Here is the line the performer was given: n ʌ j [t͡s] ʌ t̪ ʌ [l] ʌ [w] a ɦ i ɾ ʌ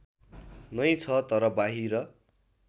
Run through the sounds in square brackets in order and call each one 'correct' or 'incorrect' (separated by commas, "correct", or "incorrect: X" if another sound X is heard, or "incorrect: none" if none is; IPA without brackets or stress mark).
incorrect: t͡sʰ, incorrect: ɾ, incorrect: b